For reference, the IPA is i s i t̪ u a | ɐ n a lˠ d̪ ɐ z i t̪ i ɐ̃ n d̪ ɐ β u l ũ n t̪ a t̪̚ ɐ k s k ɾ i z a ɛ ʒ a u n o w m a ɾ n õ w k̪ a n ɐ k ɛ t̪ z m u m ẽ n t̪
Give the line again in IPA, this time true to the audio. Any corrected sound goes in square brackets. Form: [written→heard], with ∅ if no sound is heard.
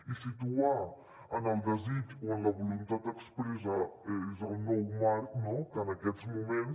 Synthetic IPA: i s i t̪ u a | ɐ n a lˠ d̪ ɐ z i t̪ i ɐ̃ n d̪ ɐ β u l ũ n t̪ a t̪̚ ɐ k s [k→p] ɾ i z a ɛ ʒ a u n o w m a ɾ n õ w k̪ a n ɐ k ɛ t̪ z m u m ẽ n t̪